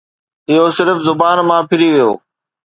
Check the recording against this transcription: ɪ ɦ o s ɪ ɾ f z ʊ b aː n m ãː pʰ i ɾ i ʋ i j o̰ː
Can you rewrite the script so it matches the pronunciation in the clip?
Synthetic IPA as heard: ɪ ɦ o s ɪ ɾ f z ʊ b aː n m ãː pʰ ɪ ɾ i ʋ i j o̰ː